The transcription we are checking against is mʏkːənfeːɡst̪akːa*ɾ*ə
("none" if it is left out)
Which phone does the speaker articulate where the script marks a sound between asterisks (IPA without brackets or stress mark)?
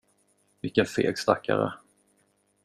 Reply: ɾ